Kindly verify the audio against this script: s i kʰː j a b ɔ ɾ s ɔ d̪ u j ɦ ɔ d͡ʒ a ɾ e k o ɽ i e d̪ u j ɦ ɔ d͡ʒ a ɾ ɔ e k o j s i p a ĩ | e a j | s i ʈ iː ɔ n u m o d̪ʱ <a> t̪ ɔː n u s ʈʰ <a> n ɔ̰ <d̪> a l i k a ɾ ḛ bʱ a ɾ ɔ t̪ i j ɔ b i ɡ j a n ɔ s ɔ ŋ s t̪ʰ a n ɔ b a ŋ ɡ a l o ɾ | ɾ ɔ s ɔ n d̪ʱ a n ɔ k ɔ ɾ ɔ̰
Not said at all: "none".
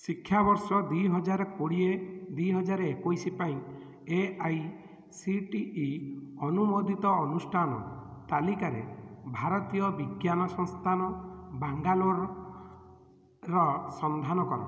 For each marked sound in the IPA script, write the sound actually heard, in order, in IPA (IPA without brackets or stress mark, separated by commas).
i, a, t̪